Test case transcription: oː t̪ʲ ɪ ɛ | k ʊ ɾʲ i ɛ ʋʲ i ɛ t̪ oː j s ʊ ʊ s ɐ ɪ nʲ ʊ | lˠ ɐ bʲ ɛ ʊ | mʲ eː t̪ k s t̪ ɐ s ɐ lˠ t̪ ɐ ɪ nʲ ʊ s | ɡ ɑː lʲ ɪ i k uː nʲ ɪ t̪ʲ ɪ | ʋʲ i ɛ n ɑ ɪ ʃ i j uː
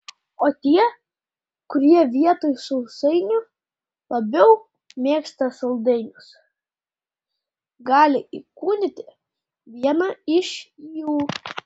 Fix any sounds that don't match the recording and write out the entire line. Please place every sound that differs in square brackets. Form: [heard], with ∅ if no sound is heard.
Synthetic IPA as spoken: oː t̪ʲ [i] ɛ | k ʊ ɾʲ i ɛ ʋʲ i ɛ t̪ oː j s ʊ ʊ s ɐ ɪ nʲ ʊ | lˠ ɐ bʲ ɛ ʊ | mʲ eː [∅] k s t̪ ɐ s ɐ lˠ [d̪] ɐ ɪ nʲ ʊ s | ɡ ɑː lʲ ɪ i k uː nʲ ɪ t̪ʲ ɪ | ʋʲ i ɛ n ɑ ɪ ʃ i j uː